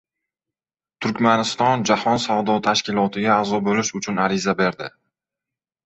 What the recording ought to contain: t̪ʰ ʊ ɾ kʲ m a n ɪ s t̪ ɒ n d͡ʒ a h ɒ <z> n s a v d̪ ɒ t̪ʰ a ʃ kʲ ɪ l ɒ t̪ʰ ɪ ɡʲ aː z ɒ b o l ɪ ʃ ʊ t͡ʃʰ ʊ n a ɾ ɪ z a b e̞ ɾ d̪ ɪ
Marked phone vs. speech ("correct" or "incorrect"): incorrect